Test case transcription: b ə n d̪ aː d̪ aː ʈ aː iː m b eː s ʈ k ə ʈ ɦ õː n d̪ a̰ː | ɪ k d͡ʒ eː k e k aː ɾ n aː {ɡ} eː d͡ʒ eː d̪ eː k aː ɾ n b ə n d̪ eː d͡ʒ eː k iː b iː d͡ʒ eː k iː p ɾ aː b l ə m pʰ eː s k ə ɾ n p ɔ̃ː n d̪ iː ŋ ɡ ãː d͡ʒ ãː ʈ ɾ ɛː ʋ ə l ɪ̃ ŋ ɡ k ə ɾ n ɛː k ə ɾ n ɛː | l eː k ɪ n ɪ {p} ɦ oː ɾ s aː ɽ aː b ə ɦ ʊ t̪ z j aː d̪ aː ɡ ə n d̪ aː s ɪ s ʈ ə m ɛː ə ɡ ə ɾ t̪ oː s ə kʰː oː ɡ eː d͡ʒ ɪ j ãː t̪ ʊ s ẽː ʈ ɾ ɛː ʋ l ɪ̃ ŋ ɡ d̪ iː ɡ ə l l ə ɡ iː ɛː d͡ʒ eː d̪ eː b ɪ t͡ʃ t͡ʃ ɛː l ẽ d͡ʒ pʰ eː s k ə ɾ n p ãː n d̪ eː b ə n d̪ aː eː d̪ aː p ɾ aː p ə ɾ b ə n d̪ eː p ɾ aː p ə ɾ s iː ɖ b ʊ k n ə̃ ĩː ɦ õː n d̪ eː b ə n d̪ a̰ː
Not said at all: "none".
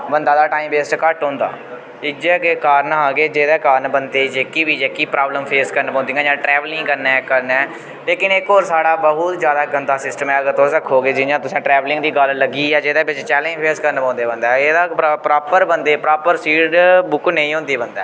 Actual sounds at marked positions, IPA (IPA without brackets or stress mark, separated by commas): ɡ, k